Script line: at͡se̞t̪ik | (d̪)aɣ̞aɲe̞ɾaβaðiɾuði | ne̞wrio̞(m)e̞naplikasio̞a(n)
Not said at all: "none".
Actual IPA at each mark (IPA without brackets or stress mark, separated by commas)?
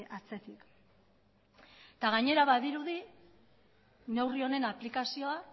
t̪, n, none